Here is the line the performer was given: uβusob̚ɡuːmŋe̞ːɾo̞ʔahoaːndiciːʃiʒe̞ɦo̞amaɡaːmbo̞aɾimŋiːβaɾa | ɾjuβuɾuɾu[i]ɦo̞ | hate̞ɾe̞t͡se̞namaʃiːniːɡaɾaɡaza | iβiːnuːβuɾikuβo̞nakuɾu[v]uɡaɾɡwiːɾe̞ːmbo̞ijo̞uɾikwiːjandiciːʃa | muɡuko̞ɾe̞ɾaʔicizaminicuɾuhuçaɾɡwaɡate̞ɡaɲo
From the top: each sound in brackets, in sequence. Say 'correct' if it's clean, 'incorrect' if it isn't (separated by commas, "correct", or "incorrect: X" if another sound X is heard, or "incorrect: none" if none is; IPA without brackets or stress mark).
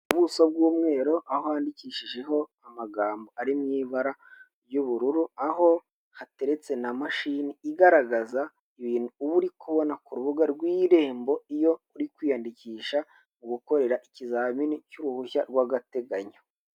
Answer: incorrect: a, incorrect: β